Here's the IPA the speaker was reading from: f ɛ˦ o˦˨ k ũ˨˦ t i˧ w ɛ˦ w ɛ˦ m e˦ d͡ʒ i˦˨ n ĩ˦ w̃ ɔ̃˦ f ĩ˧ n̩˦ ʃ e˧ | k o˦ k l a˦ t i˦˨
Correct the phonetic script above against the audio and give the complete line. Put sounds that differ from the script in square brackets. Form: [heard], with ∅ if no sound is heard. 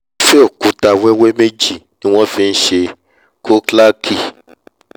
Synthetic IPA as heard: f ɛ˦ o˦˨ k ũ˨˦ t [a˧] w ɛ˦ w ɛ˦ m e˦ d͡ʒ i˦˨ n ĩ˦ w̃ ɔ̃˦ f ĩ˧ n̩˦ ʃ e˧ | k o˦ k l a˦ [k] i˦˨